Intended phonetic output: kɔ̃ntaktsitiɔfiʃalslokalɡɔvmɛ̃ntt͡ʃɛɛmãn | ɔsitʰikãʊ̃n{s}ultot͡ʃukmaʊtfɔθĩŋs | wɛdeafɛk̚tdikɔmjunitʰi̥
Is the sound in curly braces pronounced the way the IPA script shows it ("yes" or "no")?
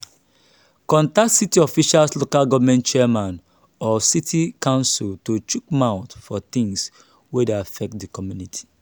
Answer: yes